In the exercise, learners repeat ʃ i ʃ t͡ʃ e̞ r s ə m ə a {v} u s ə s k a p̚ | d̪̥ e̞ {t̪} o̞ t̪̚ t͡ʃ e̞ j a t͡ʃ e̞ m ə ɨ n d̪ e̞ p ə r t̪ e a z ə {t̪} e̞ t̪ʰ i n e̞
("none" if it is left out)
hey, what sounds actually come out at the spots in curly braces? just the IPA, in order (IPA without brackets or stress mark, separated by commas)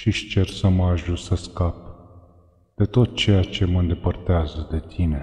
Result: ʒ, t̪, d̪